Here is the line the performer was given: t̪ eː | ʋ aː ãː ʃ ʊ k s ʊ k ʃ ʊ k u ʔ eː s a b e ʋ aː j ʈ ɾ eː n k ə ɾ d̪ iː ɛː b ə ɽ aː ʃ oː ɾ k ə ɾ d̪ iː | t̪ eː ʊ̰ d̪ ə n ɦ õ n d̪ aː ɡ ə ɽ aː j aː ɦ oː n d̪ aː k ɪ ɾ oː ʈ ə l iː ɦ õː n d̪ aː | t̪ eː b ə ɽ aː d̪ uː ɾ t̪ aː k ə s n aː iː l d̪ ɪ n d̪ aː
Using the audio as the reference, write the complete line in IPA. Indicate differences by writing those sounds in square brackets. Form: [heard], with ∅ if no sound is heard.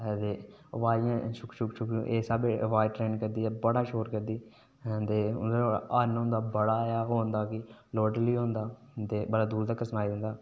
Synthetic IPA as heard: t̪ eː | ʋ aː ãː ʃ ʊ k [ʃ] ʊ k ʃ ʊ k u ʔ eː s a b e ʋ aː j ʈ ɾ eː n k ə ɾ d̪ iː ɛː b ə ɽ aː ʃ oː ɾ k ə ɾ d̪ iː | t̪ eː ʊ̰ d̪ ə n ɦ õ n d̪ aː [b] ə ɽ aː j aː ɦ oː n d̪ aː k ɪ [l] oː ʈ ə l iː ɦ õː n d̪ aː | t̪ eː b ə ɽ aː d̪ uː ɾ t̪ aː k ə s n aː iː [∅] d̪ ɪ n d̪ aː